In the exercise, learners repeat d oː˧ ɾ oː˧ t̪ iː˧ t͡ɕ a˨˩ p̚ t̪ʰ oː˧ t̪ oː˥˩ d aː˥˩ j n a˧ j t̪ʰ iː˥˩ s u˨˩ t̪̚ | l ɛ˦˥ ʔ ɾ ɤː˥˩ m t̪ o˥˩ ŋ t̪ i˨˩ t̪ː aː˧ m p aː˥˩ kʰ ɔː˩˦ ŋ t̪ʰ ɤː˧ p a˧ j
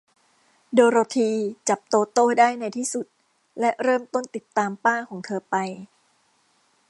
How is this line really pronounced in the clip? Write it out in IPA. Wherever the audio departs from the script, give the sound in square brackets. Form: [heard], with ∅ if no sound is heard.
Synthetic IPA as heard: d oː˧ ɾ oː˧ [t̪ʰ] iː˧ t͡ɕ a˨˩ p̚ [t̪] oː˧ t̪ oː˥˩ d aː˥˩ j n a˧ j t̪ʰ iː˥˩ s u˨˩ t̪̚ | l ɛ˦˥ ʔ ɾ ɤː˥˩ m t̪ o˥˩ [n] t̪ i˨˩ t̪ː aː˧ m p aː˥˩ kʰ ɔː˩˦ ŋ t̪ʰ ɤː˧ p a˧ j